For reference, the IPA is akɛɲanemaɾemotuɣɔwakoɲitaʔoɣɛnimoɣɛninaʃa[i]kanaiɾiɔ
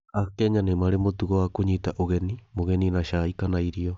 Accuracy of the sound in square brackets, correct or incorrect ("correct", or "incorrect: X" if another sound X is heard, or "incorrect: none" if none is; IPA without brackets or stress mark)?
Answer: correct